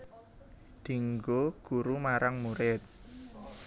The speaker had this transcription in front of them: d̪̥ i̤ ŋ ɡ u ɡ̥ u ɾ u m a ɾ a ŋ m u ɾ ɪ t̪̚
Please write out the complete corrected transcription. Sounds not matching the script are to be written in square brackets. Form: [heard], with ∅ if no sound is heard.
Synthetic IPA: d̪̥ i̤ ŋ ɡ [o] ɡ̥ u ɾ u m a ɾ a ŋ m u ɾ ɪ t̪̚

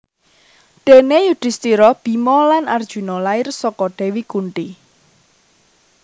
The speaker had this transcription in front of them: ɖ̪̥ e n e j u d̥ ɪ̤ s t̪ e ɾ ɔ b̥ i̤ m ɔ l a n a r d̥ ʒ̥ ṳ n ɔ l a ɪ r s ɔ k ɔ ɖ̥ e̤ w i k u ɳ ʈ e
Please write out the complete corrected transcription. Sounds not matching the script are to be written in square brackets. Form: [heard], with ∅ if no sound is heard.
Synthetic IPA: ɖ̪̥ e n e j u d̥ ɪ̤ s t̪ [i] ɾ ɔ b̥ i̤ m ɔ l a n a r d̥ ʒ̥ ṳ n ɔ l a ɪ r s ɔ k ɔ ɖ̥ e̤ w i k u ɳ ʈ [i]

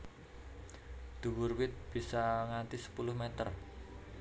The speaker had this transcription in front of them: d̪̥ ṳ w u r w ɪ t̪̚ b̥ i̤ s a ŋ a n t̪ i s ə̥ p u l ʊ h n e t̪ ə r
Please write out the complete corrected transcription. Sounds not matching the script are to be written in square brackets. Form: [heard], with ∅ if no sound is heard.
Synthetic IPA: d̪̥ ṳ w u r w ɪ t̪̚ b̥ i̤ s a ŋ a n t̪ i s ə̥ p u l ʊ h [m] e t̪ ə r

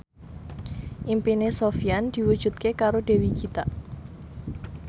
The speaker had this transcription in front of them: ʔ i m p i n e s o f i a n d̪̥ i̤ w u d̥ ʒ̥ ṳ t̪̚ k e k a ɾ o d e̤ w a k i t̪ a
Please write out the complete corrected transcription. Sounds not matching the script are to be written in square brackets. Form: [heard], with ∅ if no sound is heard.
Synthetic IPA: ʔ i m p i n e s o f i a n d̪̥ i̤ w u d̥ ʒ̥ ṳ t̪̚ k e k a ɾ o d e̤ w [i] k i t̪ a

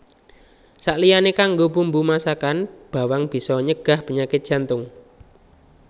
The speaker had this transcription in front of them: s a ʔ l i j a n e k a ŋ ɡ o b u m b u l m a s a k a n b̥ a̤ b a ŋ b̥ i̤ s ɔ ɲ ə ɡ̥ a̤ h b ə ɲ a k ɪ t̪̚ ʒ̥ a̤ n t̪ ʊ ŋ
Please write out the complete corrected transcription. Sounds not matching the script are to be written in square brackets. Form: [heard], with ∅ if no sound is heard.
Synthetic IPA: s a ʔ l i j a n e k a ŋ ɡ o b u m b u [∅] m a s a k a n b̥ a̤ [w] a ŋ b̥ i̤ s ɔ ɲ ə ɡ̥ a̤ h [p] ə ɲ a k ɪ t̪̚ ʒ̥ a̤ n t̪ ʊ ŋ

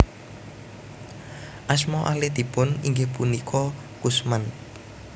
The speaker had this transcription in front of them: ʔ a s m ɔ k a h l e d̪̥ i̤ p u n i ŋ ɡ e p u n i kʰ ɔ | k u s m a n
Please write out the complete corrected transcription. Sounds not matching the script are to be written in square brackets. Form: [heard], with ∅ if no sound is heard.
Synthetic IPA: ʔ a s m ɔ [ʔ] a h l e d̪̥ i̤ p [ʊ] n i ŋ ɡ e p u n i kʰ ɔ | k u s m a n

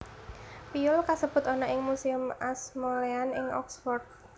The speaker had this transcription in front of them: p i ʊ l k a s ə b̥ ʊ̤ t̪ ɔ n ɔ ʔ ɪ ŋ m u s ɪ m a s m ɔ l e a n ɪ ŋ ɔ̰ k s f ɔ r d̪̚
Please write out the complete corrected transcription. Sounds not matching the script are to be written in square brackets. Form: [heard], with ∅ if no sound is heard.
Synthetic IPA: p i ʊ l k a s ə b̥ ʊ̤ t̪ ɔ n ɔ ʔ ɪ ŋ m u s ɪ m a s m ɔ l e a n ɪ ŋ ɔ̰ k s f ɔ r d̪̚

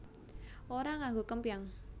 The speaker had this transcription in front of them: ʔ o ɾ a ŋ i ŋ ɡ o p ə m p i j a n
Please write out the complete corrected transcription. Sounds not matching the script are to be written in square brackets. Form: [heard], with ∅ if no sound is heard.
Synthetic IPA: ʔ o ɾ a ŋ [a] ŋ ɡ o [k] ə m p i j a [ŋ]

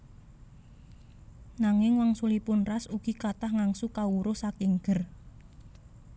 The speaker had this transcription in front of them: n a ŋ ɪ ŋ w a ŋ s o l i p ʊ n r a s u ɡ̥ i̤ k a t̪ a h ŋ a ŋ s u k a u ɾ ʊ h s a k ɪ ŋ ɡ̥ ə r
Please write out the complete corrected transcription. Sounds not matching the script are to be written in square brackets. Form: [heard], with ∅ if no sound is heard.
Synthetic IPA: n a ŋ ɪ ŋ w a ŋ s [u] l i p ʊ n r a s u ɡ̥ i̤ k a t̪ a h ŋ a ŋ s u k a u ɾ ʊ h s a k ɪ ŋ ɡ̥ ə r

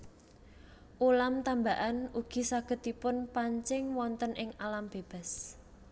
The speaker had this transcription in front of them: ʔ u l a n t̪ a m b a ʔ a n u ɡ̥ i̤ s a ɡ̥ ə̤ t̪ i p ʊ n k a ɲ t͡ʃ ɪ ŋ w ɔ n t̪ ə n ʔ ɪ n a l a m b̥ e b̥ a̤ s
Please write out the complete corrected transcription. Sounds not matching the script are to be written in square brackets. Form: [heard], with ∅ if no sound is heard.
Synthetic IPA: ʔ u l a [m] t̪ a m b a ʔ a n u ɡ̥ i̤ s a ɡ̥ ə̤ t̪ i p ʊ n [p] a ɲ t͡ʃ ɪ ŋ w ɔ n t̪ ə n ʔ ɪ [ŋ] a l a m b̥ e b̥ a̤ s

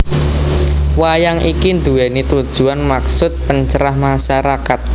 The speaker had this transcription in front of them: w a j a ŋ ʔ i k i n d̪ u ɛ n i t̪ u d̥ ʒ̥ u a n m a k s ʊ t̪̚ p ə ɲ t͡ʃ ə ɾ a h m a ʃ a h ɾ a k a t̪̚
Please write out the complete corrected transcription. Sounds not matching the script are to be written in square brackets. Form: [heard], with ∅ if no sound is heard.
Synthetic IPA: w a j a ŋ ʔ i k i n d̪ u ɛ n i t̪ u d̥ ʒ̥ u a n m a k s ʊ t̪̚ p ə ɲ t͡ʃ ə ɾ a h m a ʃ a [∅] ɾ a k a t̪̚

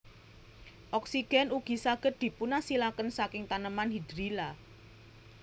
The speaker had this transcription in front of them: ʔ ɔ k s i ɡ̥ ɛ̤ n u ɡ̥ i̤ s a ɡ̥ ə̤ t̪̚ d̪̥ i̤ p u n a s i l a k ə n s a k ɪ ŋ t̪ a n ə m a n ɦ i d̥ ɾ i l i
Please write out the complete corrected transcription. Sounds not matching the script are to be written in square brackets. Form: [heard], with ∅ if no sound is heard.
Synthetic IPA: ʔ ɔ k s i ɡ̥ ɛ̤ n u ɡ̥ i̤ s a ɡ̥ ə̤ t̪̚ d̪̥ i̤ p u n a s i l a k ə n s a k ɪ ŋ t̪ a n ə m a n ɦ i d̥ ɾ i l [a]

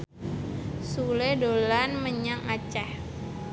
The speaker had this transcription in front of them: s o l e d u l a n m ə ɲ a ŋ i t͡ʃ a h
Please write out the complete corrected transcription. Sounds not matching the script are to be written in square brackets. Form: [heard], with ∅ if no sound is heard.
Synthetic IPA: s [u] l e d [o] l a n m ə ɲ a ŋ [a] t͡ʃ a h

